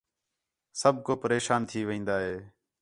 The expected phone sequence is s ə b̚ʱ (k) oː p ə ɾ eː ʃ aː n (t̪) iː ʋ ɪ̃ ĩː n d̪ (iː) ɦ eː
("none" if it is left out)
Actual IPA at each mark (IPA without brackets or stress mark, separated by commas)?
k, t̪ʰ, aː